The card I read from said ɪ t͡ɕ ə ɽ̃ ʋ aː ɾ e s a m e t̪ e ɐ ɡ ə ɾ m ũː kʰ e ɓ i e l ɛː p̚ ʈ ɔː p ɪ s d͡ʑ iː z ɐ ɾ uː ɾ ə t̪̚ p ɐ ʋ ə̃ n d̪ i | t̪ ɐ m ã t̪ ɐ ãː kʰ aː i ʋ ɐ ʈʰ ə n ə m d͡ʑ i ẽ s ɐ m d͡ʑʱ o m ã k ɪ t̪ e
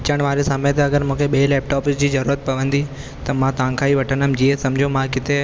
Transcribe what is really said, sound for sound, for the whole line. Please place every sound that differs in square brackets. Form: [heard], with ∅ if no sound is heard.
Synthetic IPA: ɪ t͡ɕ ə ɽ̃ ʋ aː ɾ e s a m e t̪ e ɐ ɡ ə ɾ m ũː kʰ e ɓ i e l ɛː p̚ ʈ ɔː p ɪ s d͡ʑ iː z ɐ ɾ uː ɾ ə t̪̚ p ɐ ʋ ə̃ n d̪ i | t̪ ɐ m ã t̪ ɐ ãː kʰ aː i ʋ ɐ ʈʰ ə n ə m d͡ʑ i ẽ s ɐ m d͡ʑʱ o m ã k ɪ t̪ e